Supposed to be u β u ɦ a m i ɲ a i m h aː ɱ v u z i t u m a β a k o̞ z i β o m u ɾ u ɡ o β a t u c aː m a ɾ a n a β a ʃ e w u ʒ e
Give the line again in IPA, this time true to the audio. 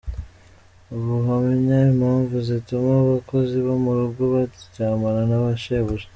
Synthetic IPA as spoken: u β u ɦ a m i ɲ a i m h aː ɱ v u z i t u m a β a k o̞ z i β o m u ɾ u ɡ o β a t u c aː m a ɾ a n a β a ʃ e β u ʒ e